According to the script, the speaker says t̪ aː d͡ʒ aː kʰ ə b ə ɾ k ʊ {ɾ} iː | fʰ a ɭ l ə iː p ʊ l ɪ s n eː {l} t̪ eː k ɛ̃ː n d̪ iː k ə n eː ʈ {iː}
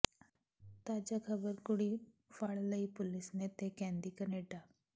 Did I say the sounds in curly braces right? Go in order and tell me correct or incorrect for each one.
incorrect, incorrect, incorrect

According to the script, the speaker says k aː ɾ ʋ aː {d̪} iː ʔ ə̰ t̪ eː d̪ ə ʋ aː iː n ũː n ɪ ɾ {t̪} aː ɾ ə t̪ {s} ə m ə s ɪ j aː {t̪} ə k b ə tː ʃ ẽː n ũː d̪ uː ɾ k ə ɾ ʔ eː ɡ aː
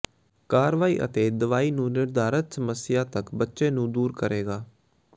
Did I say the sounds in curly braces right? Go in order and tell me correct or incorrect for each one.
incorrect, incorrect, correct, correct

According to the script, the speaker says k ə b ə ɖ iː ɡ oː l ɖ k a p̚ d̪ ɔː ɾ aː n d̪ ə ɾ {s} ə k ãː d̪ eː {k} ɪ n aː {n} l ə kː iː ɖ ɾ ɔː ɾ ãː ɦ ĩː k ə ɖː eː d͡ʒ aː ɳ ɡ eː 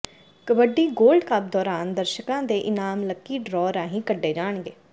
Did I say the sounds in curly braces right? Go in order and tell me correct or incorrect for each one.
incorrect, incorrect, incorrect

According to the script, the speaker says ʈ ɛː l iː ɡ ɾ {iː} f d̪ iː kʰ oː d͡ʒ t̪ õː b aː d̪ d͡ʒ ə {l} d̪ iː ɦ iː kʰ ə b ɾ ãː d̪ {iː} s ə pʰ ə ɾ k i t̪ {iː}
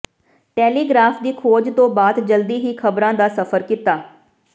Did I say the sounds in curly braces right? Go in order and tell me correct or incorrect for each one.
incorrect, correct, incorrect, incorrect

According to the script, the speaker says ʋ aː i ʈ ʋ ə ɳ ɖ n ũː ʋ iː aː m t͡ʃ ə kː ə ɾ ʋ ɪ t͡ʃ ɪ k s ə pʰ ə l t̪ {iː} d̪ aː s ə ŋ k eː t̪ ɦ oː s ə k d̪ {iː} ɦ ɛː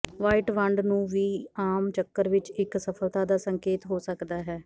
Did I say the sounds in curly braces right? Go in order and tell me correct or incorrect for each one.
incorrect, incorrect

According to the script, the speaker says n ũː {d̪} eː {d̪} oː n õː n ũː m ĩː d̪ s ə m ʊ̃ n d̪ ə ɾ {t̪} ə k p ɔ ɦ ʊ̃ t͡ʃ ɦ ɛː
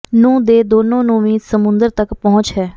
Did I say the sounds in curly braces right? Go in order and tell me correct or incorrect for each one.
correct, correct, correct

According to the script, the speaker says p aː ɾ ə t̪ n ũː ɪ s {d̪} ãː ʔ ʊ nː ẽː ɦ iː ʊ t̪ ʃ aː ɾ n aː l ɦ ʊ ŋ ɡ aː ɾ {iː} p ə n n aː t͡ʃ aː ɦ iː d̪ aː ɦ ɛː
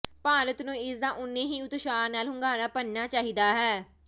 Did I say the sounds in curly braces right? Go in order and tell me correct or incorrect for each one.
correct, incorrect

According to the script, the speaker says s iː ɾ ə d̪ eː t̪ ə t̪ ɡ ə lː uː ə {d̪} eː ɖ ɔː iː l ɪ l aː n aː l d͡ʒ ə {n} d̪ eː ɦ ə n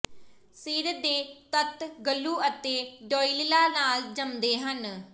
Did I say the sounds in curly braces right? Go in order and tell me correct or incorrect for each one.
incorrect, incorrect

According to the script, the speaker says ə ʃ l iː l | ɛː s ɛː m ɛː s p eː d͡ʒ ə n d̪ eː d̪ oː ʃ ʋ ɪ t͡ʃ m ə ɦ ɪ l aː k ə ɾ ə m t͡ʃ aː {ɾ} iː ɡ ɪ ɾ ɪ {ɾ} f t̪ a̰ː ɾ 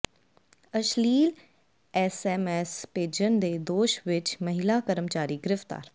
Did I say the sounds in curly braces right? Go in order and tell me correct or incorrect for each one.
correct, incorrect

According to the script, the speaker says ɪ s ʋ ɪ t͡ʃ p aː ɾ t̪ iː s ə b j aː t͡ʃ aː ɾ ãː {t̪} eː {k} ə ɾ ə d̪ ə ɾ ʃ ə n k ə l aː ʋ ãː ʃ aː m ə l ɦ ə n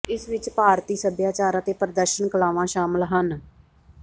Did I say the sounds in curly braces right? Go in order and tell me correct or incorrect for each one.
correct, incorrect

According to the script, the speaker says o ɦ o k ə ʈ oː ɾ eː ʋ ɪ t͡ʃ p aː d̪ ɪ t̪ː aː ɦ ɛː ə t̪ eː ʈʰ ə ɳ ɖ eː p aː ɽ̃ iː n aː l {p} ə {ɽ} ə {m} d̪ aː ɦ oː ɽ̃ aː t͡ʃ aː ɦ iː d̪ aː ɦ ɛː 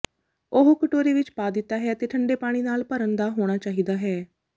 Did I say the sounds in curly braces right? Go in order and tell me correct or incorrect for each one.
correct, incorrect, incorrect

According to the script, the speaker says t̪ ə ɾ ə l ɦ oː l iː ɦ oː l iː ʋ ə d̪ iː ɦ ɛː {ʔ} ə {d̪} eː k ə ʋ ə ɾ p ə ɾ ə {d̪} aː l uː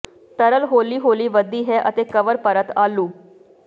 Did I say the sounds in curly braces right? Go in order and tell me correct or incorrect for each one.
correct, incorrect, incorrect

